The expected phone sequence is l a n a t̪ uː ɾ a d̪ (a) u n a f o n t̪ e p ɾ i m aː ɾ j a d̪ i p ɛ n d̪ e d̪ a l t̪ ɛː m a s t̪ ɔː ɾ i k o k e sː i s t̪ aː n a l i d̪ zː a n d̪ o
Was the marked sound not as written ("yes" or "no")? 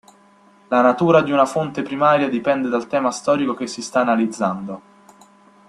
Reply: yes